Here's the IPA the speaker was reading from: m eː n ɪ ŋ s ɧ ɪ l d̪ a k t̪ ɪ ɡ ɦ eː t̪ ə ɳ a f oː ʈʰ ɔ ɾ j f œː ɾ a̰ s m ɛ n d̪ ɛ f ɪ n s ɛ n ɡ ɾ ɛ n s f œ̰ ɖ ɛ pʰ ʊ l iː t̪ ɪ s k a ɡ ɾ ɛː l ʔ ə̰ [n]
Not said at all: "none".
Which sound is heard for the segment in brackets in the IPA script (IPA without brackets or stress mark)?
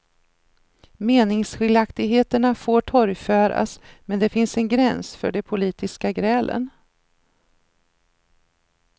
n